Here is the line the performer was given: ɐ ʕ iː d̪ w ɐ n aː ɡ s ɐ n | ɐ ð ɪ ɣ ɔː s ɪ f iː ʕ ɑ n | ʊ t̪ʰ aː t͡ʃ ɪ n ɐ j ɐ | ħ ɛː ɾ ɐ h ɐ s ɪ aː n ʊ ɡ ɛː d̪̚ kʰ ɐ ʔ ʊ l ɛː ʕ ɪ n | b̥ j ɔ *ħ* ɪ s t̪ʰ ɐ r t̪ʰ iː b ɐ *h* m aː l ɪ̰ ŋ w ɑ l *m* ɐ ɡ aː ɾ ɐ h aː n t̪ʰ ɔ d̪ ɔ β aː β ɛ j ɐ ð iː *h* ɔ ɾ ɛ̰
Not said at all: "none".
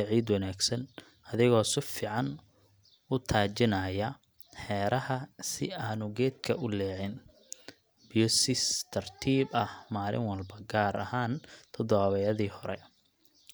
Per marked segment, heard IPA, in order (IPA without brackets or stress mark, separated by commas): s, h, b, h